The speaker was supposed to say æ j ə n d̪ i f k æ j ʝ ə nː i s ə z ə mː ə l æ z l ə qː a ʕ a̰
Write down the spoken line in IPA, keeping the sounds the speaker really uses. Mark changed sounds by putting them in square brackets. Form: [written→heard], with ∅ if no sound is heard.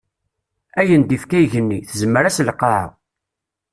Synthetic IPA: æ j ə n d̪ i f k æ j ʝ ə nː i [s→θ] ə z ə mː ə [l→ɾ] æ [z→s] l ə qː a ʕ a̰